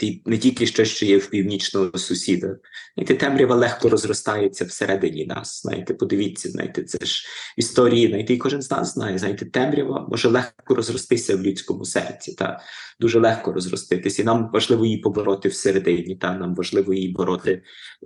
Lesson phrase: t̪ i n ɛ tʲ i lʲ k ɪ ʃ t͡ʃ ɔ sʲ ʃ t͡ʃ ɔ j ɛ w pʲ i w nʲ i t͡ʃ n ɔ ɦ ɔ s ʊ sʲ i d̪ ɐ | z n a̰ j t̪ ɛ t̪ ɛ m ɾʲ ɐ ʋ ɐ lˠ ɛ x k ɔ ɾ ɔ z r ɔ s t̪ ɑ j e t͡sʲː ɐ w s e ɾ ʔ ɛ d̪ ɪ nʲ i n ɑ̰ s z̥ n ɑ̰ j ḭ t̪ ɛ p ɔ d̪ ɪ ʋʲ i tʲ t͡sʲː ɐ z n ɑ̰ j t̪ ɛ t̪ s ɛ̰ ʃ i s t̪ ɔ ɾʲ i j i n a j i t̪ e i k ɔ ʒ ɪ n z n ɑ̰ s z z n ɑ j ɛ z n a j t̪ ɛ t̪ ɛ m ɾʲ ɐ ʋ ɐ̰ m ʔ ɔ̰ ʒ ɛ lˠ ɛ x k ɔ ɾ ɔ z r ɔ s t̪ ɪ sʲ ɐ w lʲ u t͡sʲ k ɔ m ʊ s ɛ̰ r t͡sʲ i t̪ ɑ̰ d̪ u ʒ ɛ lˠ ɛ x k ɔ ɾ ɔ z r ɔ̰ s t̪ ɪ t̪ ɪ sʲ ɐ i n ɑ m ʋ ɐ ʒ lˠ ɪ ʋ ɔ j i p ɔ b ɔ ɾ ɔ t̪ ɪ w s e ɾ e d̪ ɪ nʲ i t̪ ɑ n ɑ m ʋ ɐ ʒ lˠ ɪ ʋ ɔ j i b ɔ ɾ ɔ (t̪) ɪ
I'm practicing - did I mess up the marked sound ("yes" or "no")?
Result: no